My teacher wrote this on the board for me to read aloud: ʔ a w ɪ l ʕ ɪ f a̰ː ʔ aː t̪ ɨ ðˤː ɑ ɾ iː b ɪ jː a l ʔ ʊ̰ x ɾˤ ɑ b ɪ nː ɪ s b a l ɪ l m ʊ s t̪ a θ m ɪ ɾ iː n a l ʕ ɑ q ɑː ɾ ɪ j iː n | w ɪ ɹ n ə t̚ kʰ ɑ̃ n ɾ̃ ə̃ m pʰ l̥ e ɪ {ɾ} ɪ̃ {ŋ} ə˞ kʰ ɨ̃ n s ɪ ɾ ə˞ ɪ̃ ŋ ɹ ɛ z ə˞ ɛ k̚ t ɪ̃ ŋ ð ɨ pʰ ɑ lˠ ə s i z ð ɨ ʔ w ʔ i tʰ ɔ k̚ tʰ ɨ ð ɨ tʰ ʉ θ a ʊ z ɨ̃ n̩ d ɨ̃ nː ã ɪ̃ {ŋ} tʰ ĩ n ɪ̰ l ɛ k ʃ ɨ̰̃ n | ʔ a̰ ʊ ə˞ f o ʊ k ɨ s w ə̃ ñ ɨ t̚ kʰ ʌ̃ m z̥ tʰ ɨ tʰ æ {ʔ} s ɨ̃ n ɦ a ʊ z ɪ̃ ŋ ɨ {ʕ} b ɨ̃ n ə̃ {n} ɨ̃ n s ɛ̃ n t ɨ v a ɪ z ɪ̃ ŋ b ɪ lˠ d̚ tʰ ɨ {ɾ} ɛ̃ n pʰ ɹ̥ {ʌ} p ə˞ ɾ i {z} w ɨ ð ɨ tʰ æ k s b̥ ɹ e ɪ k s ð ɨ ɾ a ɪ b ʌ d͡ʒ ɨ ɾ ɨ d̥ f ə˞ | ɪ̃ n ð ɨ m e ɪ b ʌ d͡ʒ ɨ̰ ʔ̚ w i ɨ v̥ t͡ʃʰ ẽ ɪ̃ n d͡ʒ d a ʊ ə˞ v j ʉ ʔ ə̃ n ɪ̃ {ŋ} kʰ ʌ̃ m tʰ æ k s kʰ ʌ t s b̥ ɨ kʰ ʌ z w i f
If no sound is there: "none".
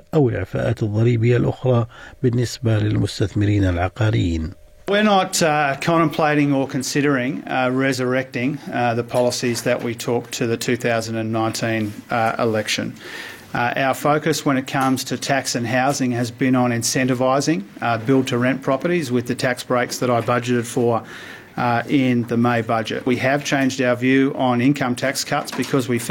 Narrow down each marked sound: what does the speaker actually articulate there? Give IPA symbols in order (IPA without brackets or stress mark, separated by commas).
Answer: ɾ, ŋ, n, k, z, n, ɹ, ɑ, z, n